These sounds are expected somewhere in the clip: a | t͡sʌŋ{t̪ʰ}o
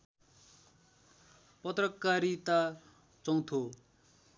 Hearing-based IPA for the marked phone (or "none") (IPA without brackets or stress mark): t̪ʰ